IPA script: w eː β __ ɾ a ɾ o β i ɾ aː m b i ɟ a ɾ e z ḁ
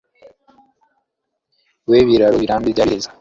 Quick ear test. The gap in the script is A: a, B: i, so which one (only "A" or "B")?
B